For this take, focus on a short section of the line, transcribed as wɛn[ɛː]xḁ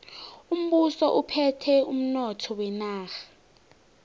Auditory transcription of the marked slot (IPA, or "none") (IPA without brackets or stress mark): aː